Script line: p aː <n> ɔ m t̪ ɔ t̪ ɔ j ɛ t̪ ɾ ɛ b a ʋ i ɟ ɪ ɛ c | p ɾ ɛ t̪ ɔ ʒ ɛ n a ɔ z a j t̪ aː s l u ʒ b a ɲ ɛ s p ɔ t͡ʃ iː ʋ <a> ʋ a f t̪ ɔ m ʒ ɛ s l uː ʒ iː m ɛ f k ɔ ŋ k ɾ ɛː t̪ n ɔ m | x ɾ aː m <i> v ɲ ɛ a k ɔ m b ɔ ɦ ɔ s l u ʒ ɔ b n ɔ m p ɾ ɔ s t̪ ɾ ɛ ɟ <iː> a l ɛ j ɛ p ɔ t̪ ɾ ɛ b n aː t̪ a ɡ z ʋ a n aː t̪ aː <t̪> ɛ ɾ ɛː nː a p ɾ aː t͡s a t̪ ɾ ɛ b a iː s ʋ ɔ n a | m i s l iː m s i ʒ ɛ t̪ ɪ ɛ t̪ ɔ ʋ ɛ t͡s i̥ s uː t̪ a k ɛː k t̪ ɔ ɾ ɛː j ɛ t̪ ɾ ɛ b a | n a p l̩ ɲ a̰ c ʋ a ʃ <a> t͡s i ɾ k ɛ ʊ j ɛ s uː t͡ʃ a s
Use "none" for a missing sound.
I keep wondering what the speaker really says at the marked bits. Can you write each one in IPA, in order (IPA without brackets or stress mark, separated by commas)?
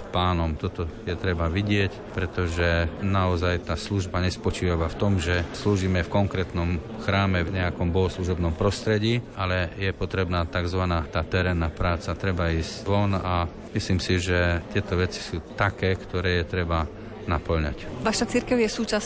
n, a, ɛ, iː, t̪, a